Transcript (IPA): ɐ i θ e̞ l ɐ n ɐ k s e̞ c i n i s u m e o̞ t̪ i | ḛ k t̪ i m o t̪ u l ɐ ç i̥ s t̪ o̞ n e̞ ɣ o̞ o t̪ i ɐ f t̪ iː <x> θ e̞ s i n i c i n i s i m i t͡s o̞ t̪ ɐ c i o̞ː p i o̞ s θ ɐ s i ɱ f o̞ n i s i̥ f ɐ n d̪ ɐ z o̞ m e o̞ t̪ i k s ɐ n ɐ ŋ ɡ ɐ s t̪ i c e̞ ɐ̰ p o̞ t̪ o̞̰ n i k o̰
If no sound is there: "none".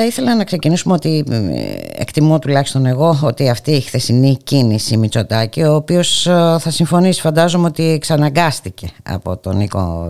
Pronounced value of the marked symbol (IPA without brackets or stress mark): x